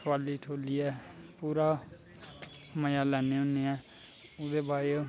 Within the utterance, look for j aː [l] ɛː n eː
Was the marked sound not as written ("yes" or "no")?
no